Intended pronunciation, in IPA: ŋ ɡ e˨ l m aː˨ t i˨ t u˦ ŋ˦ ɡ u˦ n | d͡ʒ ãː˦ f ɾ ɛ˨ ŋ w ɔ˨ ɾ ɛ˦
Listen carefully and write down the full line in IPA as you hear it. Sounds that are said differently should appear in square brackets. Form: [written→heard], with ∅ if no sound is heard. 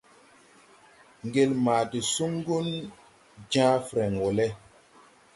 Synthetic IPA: ŋ ɡ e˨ l m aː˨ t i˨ [t→s] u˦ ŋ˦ ɡ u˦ n | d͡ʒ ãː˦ f ɾ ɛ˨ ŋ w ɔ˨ [ɾ→l] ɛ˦